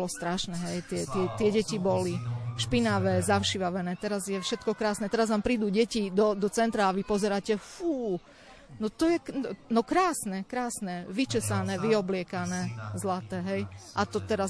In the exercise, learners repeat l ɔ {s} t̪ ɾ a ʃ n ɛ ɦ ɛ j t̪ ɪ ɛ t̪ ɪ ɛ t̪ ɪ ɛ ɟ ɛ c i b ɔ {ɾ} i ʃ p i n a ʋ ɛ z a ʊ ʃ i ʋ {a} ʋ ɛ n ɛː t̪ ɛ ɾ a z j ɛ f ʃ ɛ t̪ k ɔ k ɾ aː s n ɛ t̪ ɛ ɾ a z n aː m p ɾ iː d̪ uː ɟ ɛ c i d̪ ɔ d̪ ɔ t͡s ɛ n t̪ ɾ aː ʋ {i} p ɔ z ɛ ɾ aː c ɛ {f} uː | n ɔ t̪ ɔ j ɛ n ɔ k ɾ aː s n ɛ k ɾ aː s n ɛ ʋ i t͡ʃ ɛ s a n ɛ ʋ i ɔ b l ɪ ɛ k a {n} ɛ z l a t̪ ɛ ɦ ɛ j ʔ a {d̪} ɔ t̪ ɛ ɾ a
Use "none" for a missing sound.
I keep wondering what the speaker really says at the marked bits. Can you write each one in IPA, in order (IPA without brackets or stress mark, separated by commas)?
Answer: s, l, a, i, f, n, t̪